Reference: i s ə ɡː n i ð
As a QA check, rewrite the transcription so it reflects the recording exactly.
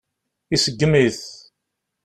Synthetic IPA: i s ə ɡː m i θ